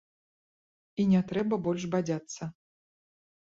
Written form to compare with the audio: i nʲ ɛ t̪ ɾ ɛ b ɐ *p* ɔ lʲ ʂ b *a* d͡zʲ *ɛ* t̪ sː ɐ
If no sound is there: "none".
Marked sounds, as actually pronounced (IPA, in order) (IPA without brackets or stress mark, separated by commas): b, a, a